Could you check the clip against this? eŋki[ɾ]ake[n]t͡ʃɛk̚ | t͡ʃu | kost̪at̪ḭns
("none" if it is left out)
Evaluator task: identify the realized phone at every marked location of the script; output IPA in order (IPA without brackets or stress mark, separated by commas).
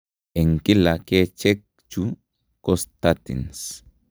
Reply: l, none